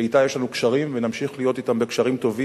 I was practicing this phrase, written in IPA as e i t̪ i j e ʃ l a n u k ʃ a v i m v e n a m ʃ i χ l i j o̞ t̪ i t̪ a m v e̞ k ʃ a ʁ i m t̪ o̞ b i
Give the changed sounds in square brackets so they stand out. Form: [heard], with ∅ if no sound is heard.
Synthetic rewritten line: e i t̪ [a] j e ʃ l a n u k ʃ a [ʁ] i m v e n a m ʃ i χ l i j o̞ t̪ i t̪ a m [b] e̞ k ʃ a ʁ i m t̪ o̞ [v] i